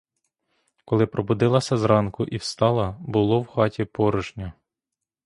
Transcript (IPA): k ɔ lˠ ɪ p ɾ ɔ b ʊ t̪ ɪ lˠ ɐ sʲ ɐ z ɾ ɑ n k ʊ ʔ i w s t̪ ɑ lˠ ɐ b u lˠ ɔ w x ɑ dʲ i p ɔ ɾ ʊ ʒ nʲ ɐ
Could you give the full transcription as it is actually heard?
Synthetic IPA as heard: k ɔ lˠ ɪ p ɾ ɔ b ʊ d̪ ɪ lˠ ɐ sʲ ɐ z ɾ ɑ n k ʊ ʔ i w s t̪ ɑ lˠ ɐ b ʊ lˠ ɔ w x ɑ tʲ i p ɔ ɾ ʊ ʒ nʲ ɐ